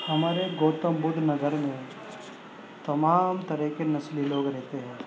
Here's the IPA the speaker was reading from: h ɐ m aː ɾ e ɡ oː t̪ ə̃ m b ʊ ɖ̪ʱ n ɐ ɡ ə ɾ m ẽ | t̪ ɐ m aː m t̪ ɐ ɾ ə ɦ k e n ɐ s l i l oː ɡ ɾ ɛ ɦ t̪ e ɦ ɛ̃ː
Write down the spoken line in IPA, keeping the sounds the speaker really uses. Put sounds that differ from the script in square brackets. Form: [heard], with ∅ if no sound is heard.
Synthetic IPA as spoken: h ɐ m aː ɾ e ɡ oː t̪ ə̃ m b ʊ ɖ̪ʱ n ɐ ɡ ə ɾ m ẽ | t̪ ɐ m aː m t̪ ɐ ɾ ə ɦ k e n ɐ s l i l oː ɡ ɾ ɛ ɦ t̪ e ɦ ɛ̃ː